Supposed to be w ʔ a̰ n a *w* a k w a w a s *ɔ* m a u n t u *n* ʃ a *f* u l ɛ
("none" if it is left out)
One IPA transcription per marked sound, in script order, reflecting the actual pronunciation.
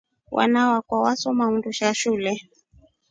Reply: w, ɔ, none, ʃ

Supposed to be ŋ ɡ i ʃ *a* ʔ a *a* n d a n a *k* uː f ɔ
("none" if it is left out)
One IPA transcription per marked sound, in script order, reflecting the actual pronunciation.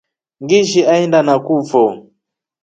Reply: i, ɛ, k

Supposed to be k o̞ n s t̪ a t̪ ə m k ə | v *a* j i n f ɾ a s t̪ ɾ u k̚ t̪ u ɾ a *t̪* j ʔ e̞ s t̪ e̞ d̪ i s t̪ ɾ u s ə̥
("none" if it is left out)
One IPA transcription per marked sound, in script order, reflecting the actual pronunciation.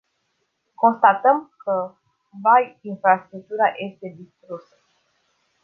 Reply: a, none

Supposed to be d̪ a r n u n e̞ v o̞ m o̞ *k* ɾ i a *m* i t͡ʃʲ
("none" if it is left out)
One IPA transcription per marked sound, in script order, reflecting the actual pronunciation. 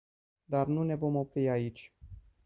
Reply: p, none

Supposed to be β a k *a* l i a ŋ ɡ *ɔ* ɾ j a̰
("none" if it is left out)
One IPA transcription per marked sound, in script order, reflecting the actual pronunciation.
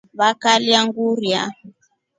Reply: a, u

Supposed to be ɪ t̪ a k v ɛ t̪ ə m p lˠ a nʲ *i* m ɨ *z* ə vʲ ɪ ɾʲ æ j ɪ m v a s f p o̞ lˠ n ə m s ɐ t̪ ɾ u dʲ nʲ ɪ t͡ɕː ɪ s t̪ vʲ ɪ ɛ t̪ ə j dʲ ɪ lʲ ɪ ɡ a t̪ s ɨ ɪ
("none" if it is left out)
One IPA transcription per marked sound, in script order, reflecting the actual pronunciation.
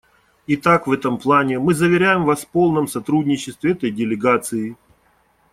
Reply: ɪ, z

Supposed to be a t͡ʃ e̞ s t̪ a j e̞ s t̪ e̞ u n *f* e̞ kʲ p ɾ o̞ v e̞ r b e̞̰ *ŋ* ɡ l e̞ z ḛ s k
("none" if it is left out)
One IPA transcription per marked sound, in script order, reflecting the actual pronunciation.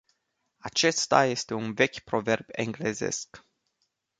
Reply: v, ŋ

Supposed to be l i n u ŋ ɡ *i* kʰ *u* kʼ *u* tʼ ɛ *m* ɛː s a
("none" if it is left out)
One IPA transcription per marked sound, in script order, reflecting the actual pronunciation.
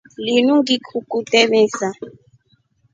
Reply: i, u, u, m

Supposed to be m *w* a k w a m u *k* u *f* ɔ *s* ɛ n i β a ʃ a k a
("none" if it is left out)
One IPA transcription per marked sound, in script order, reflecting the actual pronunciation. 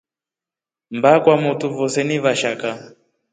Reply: b, t, v, s

